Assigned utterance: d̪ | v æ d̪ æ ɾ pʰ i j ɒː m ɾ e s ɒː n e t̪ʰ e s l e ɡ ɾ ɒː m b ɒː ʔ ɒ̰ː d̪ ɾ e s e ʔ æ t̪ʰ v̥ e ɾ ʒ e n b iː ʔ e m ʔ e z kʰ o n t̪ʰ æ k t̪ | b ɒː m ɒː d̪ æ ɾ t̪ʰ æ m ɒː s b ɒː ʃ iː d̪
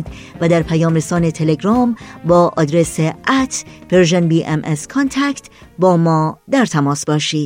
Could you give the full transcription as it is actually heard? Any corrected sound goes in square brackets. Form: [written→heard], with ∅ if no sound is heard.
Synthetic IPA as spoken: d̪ | v æ d̪ æ ɾ pʰ [i→æ] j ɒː m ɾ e s ɒː n e t̪ʰ e [s→∅] l e ɡ ɾ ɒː m b ɒː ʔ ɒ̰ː d̪ ɾ e s e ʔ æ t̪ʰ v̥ e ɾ ʒ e n b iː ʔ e m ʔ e [z→s] kʰ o n t̪ʰ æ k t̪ | b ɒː m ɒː d̪ æ ɾ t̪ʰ æ m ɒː s b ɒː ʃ iː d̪